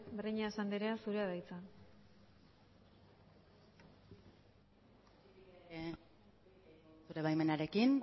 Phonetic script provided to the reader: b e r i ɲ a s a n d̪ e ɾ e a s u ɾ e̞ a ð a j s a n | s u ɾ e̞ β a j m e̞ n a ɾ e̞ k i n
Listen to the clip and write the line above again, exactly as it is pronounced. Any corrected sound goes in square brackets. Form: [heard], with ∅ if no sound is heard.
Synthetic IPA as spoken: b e r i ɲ a s a n d̪ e ɾ e a s u ɾ e̞ a ð a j [t͡s] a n | s u ɾ e̞ β a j m e̞ n a ɾ e̞ k i n